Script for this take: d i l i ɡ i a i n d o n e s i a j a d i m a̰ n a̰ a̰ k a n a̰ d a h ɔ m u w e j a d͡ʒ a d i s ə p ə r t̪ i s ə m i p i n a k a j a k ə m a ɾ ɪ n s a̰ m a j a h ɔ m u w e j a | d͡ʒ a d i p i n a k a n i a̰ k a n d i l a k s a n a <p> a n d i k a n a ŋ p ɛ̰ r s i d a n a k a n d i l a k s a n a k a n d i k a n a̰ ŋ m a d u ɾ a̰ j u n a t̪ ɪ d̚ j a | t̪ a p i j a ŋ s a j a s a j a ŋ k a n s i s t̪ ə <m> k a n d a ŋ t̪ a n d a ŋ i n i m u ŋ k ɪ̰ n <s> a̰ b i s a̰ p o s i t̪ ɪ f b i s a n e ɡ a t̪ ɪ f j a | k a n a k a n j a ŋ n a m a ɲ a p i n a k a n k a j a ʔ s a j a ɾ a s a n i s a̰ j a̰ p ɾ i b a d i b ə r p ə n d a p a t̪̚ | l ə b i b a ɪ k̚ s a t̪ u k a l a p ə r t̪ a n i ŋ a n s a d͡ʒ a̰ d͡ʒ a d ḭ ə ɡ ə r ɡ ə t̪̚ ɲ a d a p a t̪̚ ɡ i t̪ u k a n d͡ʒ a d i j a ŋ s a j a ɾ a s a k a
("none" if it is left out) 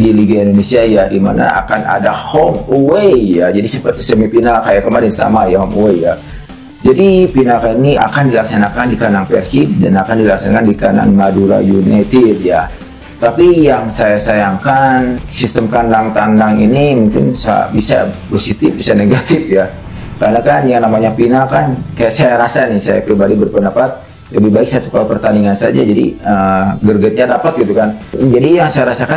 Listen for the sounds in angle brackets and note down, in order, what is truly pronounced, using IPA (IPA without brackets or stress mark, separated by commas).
k, m, s